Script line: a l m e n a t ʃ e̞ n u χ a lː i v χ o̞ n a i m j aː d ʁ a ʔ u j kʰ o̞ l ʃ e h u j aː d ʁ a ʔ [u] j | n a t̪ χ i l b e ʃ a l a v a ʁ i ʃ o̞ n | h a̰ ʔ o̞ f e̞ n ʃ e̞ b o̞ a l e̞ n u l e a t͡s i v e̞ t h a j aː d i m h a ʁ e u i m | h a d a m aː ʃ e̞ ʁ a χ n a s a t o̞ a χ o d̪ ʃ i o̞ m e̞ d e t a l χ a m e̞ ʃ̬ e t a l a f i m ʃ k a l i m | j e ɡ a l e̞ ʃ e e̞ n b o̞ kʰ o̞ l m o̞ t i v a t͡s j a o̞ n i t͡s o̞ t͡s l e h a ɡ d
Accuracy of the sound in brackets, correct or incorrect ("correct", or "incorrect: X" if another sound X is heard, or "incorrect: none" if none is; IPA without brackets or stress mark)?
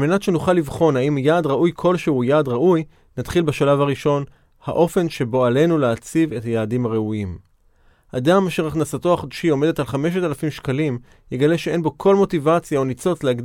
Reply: correct